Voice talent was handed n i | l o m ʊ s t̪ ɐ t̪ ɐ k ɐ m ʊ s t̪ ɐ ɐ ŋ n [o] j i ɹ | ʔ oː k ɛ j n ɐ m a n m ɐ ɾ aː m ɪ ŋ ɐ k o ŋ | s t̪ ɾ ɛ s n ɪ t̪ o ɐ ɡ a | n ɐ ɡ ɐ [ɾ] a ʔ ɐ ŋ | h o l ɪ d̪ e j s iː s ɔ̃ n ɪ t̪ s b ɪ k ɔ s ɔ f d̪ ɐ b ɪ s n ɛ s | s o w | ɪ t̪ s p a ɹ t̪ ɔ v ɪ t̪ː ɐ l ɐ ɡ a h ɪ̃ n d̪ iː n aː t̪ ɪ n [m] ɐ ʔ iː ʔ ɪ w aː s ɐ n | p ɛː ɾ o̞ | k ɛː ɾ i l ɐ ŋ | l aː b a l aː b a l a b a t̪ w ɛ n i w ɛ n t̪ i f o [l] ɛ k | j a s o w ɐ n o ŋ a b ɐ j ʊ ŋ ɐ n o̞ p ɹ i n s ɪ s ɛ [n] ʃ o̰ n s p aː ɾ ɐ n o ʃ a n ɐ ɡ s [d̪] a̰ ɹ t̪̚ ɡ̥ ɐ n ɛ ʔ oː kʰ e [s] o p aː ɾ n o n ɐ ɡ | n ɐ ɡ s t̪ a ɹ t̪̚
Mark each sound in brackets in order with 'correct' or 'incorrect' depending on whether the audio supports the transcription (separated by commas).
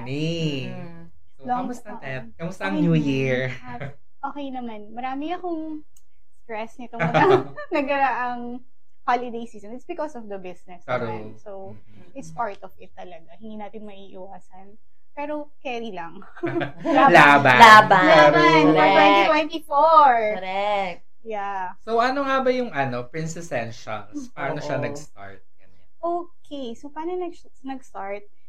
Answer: incorrect, correct, correct, incorrect, correct, incorrect, correct